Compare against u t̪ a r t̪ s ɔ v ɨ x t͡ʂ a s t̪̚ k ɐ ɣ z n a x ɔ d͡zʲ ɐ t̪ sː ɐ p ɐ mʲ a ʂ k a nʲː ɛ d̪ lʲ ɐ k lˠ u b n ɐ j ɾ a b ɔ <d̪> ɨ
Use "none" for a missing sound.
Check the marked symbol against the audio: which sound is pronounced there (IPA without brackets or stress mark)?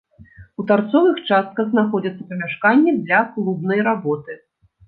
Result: t̪